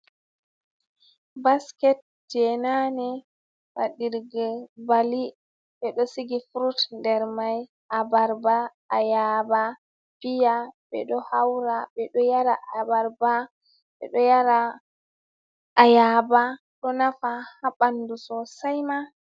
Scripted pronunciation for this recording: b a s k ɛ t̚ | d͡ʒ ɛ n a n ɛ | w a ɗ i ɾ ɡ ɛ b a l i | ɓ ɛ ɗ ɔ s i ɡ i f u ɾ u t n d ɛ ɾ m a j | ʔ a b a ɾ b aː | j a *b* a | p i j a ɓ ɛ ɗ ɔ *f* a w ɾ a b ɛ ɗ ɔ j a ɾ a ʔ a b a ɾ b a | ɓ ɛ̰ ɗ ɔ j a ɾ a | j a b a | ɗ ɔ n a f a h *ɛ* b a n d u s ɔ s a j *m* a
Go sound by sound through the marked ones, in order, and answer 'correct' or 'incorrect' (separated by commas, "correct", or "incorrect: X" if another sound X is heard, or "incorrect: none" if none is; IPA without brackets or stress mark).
correct, incorrect: h, incorrect: a, correct